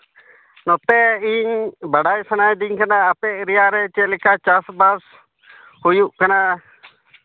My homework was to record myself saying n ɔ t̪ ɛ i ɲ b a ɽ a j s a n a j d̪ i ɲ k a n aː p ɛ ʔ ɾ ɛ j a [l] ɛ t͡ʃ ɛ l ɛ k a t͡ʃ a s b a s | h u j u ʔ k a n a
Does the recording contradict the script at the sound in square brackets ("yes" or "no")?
yes